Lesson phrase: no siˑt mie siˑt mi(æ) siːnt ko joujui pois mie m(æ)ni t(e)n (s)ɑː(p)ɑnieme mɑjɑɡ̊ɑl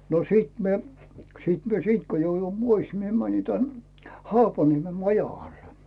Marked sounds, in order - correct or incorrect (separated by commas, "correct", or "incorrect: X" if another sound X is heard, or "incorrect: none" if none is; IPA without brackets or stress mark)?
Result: incorrect: e, correct, incorrect: æ, incorrect: h, correct